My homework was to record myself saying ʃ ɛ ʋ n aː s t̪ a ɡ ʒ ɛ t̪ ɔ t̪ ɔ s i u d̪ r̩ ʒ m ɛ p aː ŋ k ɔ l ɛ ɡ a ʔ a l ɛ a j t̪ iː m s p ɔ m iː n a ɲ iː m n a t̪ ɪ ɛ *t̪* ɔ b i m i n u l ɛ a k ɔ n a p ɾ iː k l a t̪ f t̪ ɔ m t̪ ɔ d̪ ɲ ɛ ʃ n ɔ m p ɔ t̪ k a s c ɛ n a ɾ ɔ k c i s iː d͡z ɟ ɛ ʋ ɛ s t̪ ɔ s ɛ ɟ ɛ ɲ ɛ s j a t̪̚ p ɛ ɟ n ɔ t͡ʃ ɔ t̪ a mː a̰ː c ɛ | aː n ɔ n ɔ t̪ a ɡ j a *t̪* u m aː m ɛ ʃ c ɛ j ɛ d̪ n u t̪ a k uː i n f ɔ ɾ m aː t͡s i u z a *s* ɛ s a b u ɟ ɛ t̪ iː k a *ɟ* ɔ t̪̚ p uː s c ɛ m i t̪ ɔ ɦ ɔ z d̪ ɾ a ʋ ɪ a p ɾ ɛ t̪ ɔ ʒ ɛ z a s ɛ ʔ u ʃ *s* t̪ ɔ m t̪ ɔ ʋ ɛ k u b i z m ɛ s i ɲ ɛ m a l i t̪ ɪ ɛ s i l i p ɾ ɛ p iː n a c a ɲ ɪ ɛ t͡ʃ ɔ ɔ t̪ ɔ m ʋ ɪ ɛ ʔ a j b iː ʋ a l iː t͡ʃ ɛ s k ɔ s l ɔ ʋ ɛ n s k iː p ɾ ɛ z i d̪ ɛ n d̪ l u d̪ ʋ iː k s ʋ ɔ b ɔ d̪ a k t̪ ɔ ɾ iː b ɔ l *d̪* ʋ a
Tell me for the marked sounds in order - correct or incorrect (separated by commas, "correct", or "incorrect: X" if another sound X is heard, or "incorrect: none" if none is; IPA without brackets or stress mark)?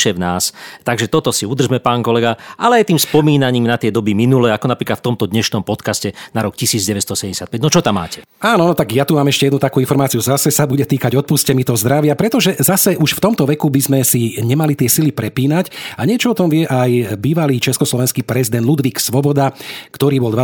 incorrect: d̪, correct, correct, correct, incorrect: f, correct